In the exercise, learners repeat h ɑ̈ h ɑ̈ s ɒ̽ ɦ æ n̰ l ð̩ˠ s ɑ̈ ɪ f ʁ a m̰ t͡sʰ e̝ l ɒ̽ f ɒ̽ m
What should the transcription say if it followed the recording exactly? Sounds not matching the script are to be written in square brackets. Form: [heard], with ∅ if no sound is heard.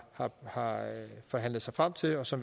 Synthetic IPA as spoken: h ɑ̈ h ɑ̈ [f] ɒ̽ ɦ æ n̰ l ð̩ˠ s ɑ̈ ɪ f ʁ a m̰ t͡sʰ e̝ l ɒ̽ [s] ɒ̽ m